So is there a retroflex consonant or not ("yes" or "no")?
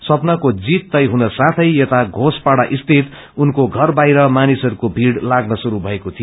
yes